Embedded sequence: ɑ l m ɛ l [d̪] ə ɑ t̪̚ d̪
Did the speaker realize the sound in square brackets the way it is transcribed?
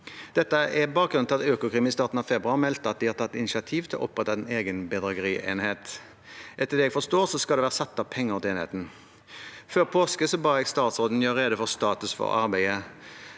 no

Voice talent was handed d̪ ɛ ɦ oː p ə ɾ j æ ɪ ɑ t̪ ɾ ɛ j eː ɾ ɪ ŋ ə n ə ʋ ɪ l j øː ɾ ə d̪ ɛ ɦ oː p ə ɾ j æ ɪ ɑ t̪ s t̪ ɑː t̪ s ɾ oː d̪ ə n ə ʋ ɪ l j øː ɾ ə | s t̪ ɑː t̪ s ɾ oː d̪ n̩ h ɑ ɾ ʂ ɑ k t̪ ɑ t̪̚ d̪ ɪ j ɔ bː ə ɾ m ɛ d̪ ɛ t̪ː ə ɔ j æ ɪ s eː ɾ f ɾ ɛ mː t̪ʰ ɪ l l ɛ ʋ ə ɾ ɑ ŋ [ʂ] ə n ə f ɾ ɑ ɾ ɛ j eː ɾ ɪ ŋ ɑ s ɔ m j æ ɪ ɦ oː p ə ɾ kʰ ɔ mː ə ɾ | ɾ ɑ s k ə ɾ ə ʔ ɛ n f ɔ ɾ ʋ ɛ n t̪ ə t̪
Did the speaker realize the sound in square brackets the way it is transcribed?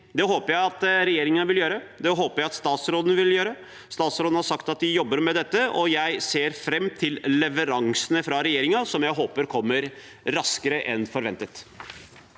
no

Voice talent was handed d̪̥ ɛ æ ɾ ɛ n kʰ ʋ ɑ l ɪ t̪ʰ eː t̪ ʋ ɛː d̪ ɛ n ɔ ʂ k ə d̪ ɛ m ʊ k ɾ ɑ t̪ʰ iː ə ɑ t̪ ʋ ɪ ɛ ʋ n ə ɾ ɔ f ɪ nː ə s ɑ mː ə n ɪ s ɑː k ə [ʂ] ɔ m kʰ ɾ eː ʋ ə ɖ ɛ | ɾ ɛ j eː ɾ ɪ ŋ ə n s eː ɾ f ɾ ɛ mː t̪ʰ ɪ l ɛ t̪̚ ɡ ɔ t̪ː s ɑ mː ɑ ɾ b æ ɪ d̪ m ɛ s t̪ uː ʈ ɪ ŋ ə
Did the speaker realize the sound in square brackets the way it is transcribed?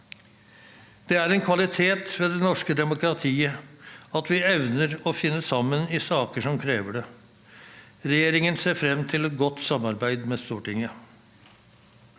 yes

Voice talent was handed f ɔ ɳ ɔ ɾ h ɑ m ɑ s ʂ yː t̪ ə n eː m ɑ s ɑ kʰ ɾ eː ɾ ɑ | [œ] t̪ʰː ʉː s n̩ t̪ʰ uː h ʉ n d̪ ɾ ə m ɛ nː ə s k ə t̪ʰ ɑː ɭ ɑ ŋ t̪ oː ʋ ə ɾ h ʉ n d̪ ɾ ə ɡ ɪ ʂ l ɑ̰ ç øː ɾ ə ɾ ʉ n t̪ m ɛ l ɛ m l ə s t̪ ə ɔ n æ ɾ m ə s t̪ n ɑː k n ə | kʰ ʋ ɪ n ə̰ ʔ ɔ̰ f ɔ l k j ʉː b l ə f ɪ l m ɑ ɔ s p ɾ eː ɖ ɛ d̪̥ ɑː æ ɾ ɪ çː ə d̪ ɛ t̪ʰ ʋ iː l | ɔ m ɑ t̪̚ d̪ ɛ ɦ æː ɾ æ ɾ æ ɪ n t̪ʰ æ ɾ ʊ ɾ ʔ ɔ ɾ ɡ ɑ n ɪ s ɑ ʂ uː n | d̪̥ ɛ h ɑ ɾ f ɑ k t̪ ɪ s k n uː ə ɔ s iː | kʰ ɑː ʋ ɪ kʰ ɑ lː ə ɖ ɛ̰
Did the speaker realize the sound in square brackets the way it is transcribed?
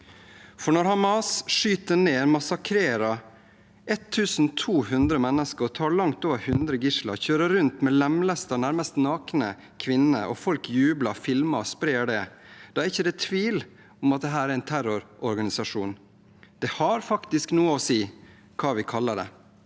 no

